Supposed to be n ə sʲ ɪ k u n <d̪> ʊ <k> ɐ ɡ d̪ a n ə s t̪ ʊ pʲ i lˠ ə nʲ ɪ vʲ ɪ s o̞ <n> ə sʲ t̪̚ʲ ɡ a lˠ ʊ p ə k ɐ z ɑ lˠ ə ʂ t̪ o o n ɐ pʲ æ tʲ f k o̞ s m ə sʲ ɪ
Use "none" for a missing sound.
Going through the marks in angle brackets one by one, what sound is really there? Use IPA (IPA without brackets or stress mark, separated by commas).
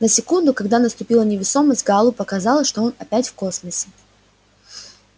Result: d̪, k, m